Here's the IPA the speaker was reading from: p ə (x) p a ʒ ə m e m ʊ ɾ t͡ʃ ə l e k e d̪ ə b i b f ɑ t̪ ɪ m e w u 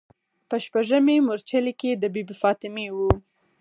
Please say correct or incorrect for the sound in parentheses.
incorrect